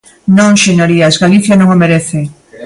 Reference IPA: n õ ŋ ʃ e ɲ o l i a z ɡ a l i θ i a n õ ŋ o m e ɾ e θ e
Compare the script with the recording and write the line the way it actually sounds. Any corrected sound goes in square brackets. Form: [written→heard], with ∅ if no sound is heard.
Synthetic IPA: n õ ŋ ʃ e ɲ o [l→ɾ] i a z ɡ a l i θ [i→j] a n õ ŋ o m e ɾ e θ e

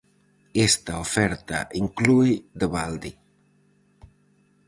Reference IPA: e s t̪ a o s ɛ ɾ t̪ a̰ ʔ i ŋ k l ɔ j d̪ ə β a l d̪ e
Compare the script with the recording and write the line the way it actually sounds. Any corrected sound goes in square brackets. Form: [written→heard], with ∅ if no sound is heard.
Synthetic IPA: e s t̪ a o [s→f] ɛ ɾ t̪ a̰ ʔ i ŋ k l [ɔ→u] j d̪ ə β a l d̪ [e→i]

